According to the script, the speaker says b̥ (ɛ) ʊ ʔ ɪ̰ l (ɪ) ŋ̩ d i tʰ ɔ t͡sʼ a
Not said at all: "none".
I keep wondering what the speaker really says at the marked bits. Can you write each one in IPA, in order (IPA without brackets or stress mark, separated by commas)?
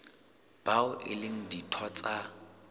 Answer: a, ɪ